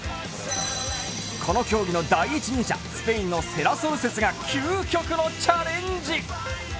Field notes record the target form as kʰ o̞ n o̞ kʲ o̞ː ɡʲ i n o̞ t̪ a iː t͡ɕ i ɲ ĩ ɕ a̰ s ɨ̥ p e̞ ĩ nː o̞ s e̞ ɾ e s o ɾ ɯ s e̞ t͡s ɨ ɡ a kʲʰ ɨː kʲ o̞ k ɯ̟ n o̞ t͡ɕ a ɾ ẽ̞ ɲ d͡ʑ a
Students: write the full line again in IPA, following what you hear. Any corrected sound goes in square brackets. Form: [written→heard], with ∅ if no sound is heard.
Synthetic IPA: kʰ o̞ n o̞ kʲ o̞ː ɡʲ i n o̞ [t̪→d̪] a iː t͡ɕ i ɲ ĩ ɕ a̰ s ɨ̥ p e̞ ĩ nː o̞ s e̞ ɾ [e→a] s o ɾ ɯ s e̞ t͡s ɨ ɡ a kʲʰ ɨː kʲ o̞ k ɯ̟ n o̞ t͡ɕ a ɾ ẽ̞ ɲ d͡ʑ [a→i]